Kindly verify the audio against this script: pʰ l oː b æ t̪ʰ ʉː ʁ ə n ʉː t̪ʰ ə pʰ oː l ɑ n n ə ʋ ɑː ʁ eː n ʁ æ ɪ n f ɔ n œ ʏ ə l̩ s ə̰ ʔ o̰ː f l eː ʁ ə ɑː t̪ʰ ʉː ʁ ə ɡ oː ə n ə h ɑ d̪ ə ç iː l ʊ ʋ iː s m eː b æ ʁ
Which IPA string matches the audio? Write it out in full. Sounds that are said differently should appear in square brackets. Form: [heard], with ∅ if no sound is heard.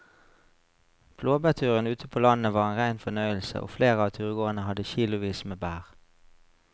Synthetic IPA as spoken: pʰ l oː b æ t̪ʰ ʉː ʁ ə n ʉː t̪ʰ ə pʰ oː l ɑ n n ə ʋ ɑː ʁ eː n ʁ æ ɪ n f ɔ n œ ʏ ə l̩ s ə̰ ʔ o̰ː f l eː ʁ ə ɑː t̪ʰ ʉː ʁ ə ɡ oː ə n ə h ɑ d̪ ə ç iː l ʊ ʋ iː s m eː b [æː] ʁ